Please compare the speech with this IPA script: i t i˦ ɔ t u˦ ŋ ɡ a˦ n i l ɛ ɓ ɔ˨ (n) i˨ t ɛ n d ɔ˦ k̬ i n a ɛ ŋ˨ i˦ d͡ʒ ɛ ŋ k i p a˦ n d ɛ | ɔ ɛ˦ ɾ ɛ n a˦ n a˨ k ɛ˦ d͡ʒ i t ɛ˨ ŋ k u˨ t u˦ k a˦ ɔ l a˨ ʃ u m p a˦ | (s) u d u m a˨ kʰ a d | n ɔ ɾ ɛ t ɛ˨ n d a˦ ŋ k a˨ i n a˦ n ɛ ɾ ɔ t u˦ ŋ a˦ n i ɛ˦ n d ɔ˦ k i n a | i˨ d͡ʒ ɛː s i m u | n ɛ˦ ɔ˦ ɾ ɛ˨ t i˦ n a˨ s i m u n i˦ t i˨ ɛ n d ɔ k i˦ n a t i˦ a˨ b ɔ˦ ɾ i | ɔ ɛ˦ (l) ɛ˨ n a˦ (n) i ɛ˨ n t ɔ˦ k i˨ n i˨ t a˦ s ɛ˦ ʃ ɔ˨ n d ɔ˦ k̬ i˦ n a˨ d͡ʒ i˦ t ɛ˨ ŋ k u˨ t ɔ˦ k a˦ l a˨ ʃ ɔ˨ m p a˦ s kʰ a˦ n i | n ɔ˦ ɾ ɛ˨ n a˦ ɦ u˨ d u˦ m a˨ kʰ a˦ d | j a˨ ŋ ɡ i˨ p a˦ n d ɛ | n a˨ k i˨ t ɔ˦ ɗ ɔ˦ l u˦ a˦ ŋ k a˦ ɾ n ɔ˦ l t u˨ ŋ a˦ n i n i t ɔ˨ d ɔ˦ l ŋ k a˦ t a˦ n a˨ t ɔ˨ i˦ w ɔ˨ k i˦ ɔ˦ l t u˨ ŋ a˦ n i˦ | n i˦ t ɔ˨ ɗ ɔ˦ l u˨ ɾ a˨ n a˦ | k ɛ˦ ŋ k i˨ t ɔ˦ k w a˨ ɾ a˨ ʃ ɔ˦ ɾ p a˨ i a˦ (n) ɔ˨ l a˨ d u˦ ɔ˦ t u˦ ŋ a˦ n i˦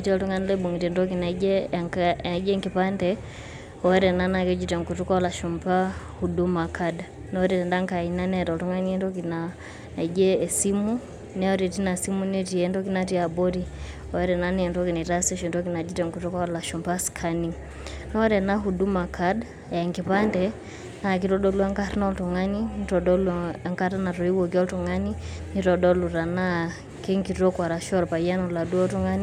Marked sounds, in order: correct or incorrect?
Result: incorrect: ŋ, incorrect: h, incorrect: ɾ, correct, correct

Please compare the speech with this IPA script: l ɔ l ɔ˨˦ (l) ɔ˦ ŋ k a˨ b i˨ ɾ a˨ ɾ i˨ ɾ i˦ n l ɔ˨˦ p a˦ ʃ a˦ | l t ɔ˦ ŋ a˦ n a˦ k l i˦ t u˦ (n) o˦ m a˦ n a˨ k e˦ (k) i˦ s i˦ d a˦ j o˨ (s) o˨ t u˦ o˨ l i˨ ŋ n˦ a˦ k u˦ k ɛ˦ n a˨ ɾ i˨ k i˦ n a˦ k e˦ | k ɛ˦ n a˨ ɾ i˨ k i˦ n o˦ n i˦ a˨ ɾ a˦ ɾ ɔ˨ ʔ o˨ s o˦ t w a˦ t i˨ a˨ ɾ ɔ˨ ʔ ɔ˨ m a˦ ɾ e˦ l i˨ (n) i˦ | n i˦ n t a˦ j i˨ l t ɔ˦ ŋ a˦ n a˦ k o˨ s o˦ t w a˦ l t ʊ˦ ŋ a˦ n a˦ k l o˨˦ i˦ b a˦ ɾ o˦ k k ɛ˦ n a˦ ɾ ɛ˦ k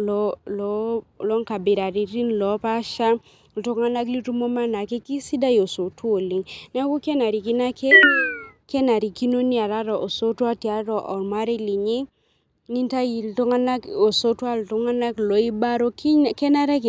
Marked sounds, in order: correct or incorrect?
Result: correct, incorrect: m, correct, correct, incorrect: ɲ

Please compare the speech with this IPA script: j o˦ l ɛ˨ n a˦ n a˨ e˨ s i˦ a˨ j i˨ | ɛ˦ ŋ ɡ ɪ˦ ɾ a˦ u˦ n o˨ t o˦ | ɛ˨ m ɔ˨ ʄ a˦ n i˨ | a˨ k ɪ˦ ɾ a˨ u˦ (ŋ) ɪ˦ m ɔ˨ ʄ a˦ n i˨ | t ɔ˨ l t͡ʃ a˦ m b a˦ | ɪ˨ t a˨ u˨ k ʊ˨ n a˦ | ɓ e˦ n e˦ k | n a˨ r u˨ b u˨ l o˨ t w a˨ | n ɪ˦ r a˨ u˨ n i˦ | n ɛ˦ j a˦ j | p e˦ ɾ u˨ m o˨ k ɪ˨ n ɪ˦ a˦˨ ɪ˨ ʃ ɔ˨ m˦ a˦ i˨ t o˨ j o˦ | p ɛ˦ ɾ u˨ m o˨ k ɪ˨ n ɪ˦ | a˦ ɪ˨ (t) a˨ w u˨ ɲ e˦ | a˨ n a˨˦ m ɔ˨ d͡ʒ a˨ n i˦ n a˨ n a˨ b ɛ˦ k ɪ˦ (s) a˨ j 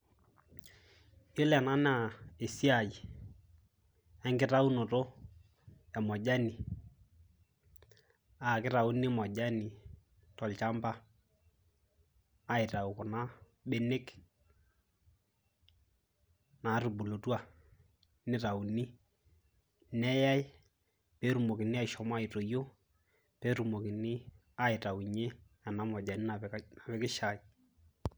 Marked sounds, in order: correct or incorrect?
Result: incorrect: n, correct, incorrect: ʃ

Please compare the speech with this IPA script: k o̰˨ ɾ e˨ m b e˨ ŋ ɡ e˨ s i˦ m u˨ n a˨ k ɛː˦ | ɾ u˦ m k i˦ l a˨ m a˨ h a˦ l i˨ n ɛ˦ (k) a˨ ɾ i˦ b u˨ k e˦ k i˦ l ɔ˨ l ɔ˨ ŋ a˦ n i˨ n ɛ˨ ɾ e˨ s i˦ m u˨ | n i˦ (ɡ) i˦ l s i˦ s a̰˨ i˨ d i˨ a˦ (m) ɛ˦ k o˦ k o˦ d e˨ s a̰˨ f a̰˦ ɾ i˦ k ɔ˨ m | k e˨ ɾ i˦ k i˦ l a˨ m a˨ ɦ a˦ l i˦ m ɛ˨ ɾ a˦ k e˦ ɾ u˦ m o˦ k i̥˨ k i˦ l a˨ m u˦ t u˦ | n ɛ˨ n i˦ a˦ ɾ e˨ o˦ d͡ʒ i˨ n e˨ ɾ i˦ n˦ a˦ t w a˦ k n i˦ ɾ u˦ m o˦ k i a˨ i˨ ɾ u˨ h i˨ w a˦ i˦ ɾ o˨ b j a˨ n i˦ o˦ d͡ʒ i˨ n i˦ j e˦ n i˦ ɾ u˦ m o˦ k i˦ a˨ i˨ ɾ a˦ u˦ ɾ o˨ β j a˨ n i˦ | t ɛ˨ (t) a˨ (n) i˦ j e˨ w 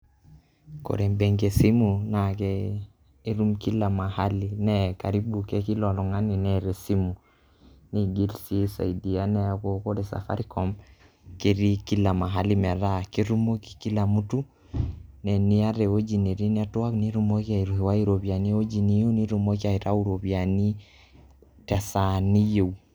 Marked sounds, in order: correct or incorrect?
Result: correct, correct, incorrect: n, incorrect: s, correct

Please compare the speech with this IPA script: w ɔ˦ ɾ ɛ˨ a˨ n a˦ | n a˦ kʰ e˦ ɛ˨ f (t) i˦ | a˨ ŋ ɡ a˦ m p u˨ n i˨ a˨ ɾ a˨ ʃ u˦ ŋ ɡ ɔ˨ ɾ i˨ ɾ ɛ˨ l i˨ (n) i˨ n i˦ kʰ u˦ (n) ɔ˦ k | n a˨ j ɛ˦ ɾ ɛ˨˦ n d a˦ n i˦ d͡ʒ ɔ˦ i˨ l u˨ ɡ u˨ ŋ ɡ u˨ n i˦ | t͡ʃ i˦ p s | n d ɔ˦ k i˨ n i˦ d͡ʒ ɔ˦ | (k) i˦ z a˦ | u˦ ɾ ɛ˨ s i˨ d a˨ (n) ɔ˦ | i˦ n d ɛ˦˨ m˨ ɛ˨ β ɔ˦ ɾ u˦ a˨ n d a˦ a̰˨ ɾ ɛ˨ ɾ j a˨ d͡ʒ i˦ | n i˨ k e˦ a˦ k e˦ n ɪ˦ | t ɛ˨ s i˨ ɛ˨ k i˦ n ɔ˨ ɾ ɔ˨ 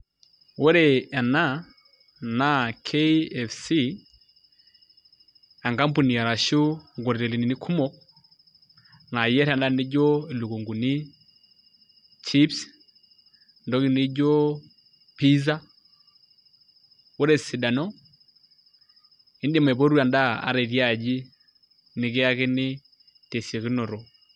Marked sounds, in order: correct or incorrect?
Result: incorrect: s, correct, incorrect: m, incorrect: p, correct

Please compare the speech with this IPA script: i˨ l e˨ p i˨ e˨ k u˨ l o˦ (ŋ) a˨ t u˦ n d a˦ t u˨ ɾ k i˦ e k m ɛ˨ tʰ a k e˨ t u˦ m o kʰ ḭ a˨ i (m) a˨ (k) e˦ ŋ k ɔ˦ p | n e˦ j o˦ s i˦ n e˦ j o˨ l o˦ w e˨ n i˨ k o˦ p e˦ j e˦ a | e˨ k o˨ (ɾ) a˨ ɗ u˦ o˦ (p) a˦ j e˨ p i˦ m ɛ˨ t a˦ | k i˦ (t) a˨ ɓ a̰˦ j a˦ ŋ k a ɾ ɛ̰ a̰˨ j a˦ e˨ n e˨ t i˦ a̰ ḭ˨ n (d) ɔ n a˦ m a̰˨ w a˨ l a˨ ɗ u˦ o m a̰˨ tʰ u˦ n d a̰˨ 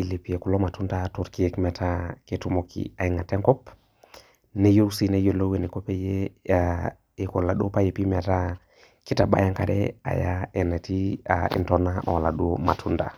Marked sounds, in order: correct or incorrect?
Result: incorrect: m, incorrect: ŋ, incorrect: t, incorrect: l, correct, correct, incorrect: t

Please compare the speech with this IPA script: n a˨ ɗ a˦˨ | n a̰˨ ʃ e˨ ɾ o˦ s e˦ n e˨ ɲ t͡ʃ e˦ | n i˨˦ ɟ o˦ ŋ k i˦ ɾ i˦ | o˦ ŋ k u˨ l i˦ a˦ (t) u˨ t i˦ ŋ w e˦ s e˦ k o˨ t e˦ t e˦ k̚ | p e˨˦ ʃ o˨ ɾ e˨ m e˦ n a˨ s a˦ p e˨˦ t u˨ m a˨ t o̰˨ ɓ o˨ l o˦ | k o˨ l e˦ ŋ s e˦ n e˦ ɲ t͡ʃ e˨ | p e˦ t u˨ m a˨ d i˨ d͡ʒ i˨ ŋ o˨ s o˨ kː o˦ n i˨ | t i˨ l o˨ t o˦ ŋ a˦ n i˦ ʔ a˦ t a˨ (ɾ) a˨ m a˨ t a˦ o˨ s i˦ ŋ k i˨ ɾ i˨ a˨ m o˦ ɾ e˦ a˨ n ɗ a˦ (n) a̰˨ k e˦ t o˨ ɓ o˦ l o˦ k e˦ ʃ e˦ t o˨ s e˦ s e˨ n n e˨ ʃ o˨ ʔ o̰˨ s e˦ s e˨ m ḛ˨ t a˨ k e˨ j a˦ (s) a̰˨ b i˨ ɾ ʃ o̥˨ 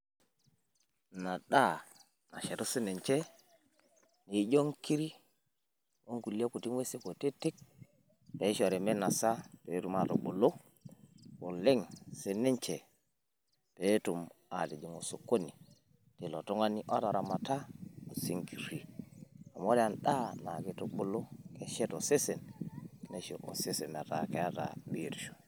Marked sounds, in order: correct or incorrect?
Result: incorrect: k, correct, correct, incorrect: t

